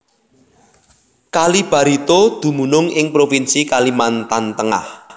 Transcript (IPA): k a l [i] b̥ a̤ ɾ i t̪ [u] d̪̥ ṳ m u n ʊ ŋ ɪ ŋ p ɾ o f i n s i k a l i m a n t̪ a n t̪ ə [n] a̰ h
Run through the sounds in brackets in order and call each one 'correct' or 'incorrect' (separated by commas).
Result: correct, incorrect, incorrect